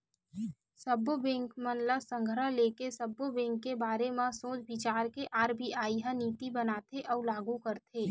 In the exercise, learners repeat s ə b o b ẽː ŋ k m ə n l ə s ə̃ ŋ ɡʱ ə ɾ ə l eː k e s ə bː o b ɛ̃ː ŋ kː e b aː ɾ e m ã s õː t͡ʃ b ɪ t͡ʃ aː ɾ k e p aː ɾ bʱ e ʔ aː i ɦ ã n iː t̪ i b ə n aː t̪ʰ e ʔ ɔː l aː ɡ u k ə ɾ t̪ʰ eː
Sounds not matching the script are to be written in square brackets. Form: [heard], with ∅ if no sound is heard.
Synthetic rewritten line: s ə b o b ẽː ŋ k m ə n l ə s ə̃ ŋ ɡʱ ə ɾ ə l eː k e s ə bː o b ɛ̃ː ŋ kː e b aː ɾ e m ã s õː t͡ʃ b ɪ t͡ʃ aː ɾ k e [ʔ] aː ɾ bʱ [i] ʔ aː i ɦ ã n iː t̪ i b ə n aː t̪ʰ e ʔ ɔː l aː ɡ u k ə ɾ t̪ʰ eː